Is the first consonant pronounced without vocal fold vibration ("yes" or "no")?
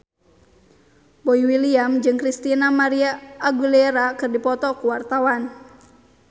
no